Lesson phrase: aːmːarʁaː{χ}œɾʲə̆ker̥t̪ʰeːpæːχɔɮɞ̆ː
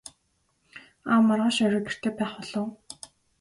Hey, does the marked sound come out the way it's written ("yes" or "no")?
no